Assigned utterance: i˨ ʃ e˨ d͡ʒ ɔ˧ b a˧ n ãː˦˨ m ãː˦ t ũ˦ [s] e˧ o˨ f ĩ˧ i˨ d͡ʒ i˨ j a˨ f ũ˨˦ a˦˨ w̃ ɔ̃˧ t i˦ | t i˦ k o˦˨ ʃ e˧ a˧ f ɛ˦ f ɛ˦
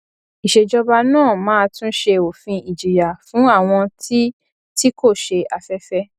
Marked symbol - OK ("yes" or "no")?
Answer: no